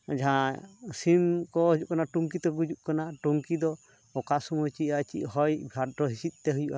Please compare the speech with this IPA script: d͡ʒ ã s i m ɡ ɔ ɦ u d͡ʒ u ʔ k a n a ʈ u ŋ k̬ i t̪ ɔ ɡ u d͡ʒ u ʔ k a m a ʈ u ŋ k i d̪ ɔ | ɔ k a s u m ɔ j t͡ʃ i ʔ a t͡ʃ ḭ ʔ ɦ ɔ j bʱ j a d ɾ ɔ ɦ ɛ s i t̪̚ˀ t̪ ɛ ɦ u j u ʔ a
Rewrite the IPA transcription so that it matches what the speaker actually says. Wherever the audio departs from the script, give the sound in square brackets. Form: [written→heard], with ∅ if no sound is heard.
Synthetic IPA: d͡ʒ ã s i m [ɡ→k] ɔ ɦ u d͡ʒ u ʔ k a n a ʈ u ŋ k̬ i t̪ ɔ ɡ u d͡ʒ u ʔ k a [m→n] a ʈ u ŋ k i d̪ ɔ | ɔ k a s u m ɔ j t͡ʃ i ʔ a t͡ʃ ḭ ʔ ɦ ɔ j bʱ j a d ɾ ɔ ɦ [ɛ→i] s i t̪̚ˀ t̪ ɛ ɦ u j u ʔ a

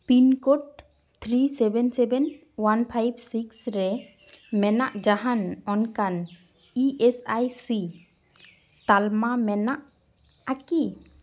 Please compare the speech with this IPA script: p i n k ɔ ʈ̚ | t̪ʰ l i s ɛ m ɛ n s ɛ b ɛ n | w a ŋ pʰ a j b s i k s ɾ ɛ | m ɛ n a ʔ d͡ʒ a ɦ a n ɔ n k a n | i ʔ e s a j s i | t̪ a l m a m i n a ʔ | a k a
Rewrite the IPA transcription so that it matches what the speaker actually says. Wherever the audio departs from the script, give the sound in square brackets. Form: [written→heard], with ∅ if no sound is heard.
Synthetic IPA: p i n k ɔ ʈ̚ | t̪ʰ [l→ɾ] i s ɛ [m→b] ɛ n s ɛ b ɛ n | w a [ŋ→n] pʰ a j b s i k s ɾ ɛ | m ɛ n a ʔ d͡ʒ a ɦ a n ɔ n k a n | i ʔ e s a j s i | t̪ a l m a m [i→ɛ] n a ʔ | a k [a→i]

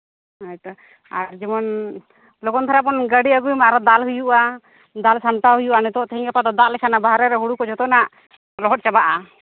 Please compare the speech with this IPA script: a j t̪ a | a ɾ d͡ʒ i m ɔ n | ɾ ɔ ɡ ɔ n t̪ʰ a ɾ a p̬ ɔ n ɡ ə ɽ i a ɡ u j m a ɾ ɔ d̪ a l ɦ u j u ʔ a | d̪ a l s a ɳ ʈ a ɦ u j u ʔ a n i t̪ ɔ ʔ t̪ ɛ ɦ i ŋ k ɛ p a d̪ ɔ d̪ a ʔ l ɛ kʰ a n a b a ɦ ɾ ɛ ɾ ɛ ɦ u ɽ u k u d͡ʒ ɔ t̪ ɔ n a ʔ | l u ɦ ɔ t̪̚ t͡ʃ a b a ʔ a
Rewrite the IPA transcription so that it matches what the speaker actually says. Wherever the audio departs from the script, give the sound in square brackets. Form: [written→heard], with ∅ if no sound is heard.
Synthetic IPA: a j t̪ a | a ɾ d͡ʒ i m ɔ n | [ɾ→l] ɔ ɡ ɔ n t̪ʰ a ɾ a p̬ ɔ n ɡ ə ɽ i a ɡ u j m a ɾ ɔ d̪ a l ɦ u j u ʔ a | d̪ a l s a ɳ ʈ a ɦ u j u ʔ a n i t̪ ɔ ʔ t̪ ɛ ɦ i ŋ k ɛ p a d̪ ɔ d̪ a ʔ l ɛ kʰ a n a b a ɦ ɾ ɛ ɾ ɛ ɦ u ɽ u k [u→ɔ] d͡ʒ ɔ t̪ ɔ n a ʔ | l [u→ɔ] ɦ ɔ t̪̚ t͡ʃ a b a ʔ a

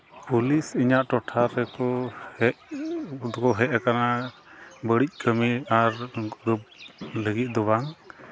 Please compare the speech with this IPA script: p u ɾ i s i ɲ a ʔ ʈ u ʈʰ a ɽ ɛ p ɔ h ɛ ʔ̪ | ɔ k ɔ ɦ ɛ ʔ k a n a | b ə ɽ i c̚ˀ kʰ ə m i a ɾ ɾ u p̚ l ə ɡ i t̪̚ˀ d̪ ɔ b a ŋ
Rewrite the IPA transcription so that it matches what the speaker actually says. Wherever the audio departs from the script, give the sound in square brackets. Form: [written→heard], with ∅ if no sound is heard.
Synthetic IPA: p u [ɾ→l] i s i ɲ a ʔ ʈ [u→ɔ] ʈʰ a [ɽ→ɾ] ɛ [p→k] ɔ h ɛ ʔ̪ | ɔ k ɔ ɦ ɛ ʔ k a n a | b ə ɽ i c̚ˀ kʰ ə m i a ɾ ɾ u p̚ l ə ɡ i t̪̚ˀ d̪ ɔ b a ŋ

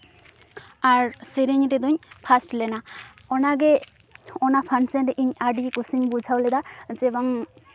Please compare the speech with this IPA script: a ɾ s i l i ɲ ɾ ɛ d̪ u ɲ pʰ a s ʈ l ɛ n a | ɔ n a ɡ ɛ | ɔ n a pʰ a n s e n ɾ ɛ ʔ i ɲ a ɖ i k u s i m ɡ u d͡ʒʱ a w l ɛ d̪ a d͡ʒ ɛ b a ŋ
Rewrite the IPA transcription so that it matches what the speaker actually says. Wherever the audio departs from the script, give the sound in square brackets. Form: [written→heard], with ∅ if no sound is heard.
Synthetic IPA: a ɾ s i [l→ɾ] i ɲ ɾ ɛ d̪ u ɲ pʰ a s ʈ l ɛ n a | ɔ n a ɡ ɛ | ɔ n a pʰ a n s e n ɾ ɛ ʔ i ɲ a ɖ i k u s i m [ɡ→b] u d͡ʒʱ a w l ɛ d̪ a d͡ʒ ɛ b a ŋ

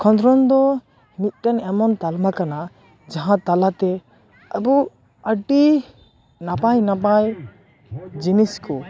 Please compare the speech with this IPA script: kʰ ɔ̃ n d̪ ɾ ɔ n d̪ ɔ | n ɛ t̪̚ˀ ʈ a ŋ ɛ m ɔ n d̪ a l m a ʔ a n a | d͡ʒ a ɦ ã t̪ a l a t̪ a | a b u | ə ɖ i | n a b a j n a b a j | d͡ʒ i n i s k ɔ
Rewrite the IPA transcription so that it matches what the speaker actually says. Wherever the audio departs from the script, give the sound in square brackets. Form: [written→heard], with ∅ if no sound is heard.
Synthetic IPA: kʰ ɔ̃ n d̪ ɾ ɔ n d̪ ɔ | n [ɛ→i] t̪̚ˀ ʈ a [ŋ→n] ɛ m ɔ n [d̪→t̪] a l m a [ʔ→k] a n a | d͡ʒ a ɦ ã t̪ a l a t̪ [a→ɛ] | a b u | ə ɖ i | n a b a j n a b a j | d͡ʒ i n i s k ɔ

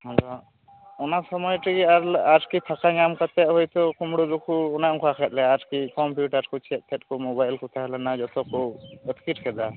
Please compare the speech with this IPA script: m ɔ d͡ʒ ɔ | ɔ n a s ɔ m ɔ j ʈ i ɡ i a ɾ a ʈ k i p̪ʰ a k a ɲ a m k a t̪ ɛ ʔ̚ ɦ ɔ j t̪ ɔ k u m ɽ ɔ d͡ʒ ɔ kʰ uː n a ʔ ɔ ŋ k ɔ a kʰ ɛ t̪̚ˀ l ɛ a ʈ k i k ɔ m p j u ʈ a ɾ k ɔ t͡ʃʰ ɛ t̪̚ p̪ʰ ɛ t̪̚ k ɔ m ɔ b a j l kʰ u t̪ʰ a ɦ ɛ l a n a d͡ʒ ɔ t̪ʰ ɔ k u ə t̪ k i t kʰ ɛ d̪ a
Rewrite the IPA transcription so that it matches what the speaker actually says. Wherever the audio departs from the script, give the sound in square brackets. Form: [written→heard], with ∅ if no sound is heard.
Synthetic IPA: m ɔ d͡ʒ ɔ | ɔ n a s ɔ m ɔ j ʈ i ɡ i a ɾ a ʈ k i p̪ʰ a k a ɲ a m k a t̪ ɛ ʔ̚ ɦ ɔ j t̪ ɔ k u m ɽ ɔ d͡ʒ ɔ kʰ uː n a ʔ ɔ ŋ k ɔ a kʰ ɛ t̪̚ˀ l ɛ a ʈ k i k ɔ m p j u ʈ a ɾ k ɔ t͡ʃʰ ɛ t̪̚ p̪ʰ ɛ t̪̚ k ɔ m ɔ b a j l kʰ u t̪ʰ a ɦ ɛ l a n a d͡ʒ ɔ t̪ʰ ɔ k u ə t̪ k i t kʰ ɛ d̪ a

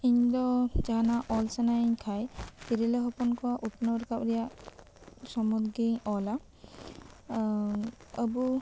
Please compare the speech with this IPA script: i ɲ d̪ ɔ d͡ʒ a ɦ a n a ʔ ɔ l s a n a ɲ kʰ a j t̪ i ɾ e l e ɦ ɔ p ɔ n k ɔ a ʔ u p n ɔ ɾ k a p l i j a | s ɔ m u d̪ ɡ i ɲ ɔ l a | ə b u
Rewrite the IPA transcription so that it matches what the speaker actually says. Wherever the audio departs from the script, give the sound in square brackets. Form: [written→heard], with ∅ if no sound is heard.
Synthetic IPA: i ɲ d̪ ɔ d͡ʒ a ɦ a n a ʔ ɔ l s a n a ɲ kʰ a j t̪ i ɾ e l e ɦ ɔ p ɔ n k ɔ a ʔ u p n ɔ ɾ k a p [l→ɾ] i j a | s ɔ m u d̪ ɡ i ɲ ɔ l a | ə b u

